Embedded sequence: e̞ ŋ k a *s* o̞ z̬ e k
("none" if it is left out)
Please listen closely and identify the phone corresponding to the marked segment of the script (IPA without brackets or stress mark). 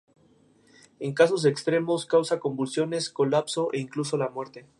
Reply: s